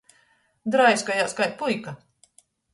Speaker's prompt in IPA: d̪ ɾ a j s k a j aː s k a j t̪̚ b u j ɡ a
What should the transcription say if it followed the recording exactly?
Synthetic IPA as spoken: d̪ ɾ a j s k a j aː s k a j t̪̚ p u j k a